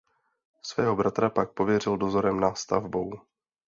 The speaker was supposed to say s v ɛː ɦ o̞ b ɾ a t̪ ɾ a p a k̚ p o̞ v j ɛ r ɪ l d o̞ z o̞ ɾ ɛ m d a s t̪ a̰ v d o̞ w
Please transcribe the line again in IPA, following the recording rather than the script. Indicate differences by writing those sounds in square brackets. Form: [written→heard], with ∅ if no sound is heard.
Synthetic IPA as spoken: s v ɛː ɦ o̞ b ɾ a t̪ ɾ a p a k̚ p o̞ v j ɛ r ɪ l d o̞ z o̞ ɾ ɛ m [d→n] a s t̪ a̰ v [d→b] o̞ w